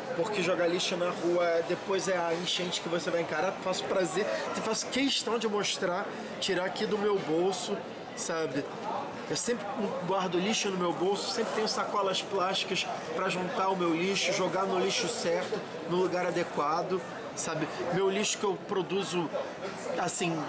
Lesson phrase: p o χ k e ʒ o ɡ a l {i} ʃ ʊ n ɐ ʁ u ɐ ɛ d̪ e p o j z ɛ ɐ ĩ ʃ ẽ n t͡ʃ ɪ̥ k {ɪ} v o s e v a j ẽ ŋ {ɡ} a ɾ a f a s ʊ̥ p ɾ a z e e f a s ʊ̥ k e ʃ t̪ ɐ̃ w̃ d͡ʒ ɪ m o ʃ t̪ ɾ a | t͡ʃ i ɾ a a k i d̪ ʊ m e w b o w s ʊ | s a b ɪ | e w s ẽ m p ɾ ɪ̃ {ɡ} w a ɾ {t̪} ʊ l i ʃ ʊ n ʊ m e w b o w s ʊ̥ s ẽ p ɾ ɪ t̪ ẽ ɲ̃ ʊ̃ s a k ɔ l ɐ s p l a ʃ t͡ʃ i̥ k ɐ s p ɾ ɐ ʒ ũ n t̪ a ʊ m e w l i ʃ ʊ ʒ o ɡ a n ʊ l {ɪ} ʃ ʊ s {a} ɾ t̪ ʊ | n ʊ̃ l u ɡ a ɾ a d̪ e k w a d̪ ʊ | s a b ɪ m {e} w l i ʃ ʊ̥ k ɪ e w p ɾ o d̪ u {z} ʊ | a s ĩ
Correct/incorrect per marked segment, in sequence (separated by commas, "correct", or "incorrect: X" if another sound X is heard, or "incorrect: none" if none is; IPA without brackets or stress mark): correct, correct, incorrect: k, correct, incorrect: d̪, incorrect: i, incorrect: ɛ, correct, correct